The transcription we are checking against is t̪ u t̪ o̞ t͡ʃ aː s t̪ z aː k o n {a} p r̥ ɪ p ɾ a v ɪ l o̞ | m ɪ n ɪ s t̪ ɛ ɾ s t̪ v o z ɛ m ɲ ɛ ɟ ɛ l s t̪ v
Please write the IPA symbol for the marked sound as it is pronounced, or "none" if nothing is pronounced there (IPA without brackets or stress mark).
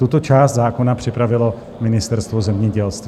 a